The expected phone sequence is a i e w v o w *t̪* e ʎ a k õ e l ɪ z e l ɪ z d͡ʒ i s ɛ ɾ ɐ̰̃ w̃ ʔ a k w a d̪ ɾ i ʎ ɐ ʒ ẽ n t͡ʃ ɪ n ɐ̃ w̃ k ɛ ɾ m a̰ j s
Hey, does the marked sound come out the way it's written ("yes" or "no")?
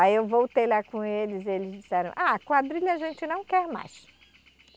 yes